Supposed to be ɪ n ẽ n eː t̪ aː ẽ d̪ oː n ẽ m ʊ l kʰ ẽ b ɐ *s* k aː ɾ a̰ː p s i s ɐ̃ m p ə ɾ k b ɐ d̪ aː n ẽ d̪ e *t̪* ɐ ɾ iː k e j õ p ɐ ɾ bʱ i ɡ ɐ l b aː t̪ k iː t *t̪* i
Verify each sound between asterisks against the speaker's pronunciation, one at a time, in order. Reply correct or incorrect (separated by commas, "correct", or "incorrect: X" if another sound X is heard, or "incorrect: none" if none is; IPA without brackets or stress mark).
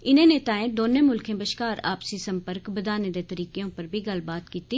incorrect: ʃ, correct, correct